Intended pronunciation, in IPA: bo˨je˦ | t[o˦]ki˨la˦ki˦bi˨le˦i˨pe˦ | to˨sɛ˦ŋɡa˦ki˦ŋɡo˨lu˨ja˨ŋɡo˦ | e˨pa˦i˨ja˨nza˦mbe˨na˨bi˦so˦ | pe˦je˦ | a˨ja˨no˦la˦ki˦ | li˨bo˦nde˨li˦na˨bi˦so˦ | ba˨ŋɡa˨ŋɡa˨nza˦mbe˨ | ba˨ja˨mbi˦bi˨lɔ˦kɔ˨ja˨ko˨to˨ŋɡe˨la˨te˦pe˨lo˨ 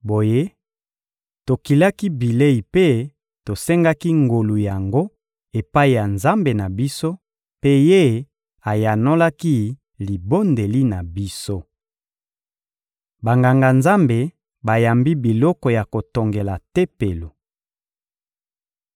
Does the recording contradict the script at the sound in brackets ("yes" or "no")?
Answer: yes